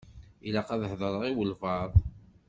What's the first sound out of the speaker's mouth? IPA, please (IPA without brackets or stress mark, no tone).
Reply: i